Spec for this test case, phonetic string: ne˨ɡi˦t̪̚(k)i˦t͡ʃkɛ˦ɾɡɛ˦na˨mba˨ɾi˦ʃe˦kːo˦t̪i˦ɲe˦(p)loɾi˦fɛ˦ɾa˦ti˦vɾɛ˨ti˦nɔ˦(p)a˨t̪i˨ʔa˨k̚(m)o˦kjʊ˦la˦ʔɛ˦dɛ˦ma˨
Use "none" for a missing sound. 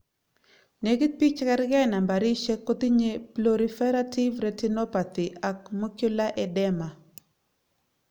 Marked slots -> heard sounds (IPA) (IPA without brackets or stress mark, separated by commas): p, p, p, m